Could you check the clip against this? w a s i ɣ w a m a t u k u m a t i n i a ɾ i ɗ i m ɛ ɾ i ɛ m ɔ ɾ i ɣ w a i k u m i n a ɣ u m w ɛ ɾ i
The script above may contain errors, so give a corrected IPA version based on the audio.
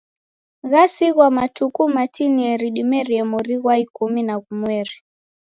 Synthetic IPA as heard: ɣ a s i ɣ w a m a t u k u m a t i n i ɛ ɾ i ɗ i m ɛ ɾ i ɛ m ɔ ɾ i ɣ w a i k u m i n a ɣ u m w ɛ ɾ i